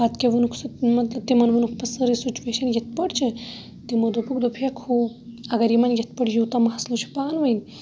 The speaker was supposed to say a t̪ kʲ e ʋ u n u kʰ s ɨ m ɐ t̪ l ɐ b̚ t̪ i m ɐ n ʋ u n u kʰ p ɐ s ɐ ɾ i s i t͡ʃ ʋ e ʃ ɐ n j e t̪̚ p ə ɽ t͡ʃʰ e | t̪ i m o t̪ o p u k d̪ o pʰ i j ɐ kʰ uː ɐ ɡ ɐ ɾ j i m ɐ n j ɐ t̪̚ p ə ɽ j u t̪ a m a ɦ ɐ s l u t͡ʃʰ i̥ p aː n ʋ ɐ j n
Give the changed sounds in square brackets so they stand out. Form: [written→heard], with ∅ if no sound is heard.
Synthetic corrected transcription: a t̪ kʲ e ʋ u n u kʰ s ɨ m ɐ t̪ l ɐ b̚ t̪ i m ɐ n ʋ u n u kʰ p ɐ s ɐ ɾ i s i t͡ʃ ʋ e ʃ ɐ n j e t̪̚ p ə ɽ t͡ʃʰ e | t̪ i m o [t̪→d̪] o p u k d̪ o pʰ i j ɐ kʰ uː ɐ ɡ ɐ ɾ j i m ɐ n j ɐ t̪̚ p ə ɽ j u t̪ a m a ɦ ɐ s l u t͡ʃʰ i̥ p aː n ʋ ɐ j n